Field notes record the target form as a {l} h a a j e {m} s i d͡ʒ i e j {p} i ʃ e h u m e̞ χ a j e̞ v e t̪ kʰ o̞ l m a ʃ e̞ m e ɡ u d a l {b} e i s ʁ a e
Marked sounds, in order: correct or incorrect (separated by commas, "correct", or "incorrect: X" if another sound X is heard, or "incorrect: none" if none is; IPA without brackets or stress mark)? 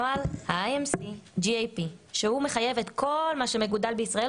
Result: correct, correct, correct, correct